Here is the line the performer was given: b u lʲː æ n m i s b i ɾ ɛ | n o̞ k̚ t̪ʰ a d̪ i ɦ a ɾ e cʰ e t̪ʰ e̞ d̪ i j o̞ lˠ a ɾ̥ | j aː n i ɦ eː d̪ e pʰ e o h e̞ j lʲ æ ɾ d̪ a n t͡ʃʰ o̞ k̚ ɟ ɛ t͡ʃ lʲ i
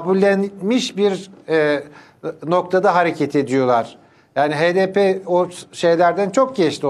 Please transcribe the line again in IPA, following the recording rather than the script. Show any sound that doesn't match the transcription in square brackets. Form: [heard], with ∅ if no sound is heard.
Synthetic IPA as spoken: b u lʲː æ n m i [ʃ] b i ɾ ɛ | n o̞ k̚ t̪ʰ a d̪ [a] ɦ a ɾ e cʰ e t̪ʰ e̞ d̪ i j o̞ lˠ a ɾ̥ | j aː n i ɦ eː d̪ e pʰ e o [ʃ] e̞ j lʲ æ ɾ d̪ [æ] n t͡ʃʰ o̞ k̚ ɟ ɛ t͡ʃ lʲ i